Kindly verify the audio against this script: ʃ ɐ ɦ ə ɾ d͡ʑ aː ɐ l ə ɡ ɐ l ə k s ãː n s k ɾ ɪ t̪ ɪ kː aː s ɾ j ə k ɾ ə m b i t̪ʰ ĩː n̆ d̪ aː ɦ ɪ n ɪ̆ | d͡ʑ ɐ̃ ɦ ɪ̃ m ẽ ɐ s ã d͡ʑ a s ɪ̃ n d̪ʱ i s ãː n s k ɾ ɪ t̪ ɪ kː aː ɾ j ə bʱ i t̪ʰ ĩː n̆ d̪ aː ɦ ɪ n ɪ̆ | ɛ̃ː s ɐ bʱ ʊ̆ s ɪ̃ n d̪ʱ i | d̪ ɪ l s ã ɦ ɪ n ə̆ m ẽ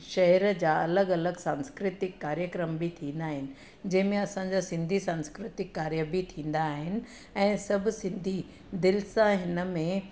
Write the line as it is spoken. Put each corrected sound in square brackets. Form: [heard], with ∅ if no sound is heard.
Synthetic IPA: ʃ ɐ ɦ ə ɾ d͡ʑ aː ɐ l ə ɡ ɐ l ə [ɡ] s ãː n s k ɾ ɪ t̪ ɪ kː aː [∅] ɾ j ə k ɾ ə m b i t̪ʰ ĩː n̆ d̪ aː ɦ ɪ n ɪ̆ | d͡ʑ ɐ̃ ɦ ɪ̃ m ẽ ɐ s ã d͡ʑ a s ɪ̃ n d̪ʱ i s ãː n s k ɾ ɪ t̪ ɪ kː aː ɾ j ə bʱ i t̪ʰ ĩː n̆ d̪ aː ɦ ɪ n ɪ̆ | ɛ̃ː s ɐ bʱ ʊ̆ s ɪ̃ n d̪ʱ i | d̪ ɪ l s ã ɦ ɪ n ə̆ m ẽ

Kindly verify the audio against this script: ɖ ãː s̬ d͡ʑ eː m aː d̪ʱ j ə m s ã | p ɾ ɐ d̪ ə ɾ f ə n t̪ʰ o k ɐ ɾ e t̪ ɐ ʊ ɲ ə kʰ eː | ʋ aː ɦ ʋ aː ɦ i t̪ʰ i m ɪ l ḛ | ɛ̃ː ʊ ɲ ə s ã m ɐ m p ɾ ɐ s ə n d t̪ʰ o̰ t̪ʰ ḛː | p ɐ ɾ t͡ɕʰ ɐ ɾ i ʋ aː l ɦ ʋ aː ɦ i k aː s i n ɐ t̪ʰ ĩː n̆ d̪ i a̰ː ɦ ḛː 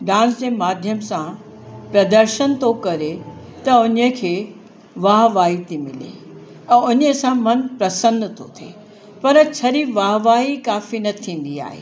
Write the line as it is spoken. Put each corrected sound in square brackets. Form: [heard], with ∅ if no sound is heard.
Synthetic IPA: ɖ ãː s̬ d͡ʑ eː m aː d̪ʱ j ə m s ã | p ɾ ɐ d̪ ə ɾ [ʃ] ə n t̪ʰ o k ɐ ɾ e t̪ ɐ ʊ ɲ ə kʰ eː | ʋ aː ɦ ʋ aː ɦ i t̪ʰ i m ɪ l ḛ | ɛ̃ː ʊ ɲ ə s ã m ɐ [n] p ɾ ɐ s ə n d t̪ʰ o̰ t̪ʰ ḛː | p ɐ ɾ t͡ɕʰ ɐ ɾ i ʋ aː [∅] ɦ ʋ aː ɦ i k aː [f] i n ɐ t̪ʰ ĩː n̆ d̪ i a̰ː ɦ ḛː

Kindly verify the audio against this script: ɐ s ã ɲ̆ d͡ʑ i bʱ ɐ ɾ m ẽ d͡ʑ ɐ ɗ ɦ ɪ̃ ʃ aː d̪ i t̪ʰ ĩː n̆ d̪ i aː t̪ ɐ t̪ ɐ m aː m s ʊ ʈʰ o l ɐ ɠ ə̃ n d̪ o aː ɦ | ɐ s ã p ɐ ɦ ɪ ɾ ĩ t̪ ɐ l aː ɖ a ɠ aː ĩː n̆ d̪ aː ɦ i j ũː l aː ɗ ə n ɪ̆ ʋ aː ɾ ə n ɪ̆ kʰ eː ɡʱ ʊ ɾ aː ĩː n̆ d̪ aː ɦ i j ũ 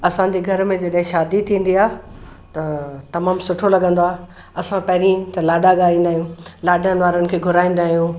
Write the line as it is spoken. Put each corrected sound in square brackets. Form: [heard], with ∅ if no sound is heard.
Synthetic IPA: ɐ s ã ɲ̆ d͡ʑ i [ɡʱ] ɐ ɾ m ẽ d͡ʑ ɐ ɗ ɦ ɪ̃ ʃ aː d̪ i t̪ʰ ĩː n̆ d̪ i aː t̪ ɐ t̪ ɐ m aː m s ʊ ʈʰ o l ɐ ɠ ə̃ n d̪ o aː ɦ | ɐ s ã p ɐ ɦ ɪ ɾ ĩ t̪ ɐ l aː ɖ a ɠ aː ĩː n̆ d̪ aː ɦ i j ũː l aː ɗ ə n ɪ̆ ʋ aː ɾ ə n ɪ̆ kʰ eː ɡʱ ʊ ɾ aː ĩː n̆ d̪ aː ɦ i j ũ

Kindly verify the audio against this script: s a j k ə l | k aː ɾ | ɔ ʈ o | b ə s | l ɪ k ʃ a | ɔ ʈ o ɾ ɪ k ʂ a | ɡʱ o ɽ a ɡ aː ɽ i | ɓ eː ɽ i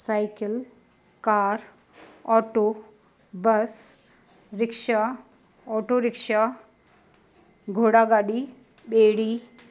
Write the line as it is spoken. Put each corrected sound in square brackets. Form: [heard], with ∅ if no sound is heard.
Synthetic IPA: s a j k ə l | k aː ɾ | ɔ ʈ o | b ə s | [ɾ] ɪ k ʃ a | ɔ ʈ o ɾ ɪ k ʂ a | ɡʱ o ɽ a ɡ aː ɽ i | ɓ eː ɽ i

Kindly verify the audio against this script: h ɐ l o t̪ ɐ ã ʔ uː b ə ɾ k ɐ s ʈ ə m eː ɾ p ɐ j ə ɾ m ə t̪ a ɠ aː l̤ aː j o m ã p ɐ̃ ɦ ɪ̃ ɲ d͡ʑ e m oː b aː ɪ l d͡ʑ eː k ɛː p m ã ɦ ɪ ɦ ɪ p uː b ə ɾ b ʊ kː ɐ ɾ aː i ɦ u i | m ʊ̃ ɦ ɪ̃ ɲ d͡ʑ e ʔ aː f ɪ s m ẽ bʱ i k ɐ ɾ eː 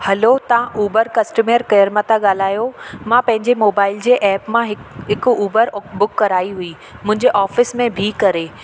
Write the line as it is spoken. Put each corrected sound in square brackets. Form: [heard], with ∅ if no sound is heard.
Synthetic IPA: h ɐ l o t̪ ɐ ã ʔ uː b ə ɾ k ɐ s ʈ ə m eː ɾ [k] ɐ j ə ɾ m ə t̪ a ɠ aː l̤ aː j o m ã p ɐ̃ ɦ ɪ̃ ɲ d͡ʑ e m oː b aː ɪ l d͡ʑ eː [ʔ] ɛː p m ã ɦ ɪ ɦ ɪ [k] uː b ə ɾ b ʊ kː ɐ ɾ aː i ɦ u i | m ʊ̃ ɦ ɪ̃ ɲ d͡ʑ e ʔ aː f ɪ s m ẽ bʱ i k ɐ ɾ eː

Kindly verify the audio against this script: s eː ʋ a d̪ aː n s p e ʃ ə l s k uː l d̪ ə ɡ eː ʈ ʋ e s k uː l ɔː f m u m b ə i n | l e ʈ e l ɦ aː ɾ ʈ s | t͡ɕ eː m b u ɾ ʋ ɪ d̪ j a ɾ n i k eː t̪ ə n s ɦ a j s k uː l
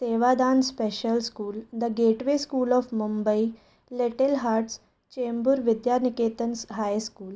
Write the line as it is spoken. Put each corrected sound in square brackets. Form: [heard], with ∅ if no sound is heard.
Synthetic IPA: s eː ʋ a d̪ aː n s p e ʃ ə l s k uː l d̪ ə ɡ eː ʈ ʋ e s k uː l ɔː f m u m b ə i [∅] | l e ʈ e l ɦ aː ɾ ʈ s | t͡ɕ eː m b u ɾ ʋ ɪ d̪ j a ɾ n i k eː t̪ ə n s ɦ a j s k uː l

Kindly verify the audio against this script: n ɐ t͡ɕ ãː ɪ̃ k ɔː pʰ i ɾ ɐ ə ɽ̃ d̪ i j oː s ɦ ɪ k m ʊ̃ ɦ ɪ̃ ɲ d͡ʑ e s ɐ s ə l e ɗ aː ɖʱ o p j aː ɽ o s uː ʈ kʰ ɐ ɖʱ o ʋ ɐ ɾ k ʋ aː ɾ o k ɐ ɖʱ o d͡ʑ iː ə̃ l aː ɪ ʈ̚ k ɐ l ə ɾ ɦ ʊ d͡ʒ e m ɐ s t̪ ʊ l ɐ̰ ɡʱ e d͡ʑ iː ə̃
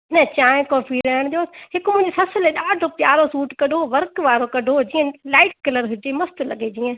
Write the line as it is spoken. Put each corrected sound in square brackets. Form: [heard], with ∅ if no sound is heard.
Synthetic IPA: n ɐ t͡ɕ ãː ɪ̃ k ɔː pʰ i ɾ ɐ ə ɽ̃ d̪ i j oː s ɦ ɪ k m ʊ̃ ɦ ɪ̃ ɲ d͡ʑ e s ɐ s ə l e ɗ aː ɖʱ o p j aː [ɾ] o s uː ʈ [k] ɐ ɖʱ o ʋ ɐ ɾ k ʋ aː ɾ o k ɐ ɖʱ o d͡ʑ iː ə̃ l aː ɪ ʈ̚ k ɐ l ə ɾ ɦ ʊ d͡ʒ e m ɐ s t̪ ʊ l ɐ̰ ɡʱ e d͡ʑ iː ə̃

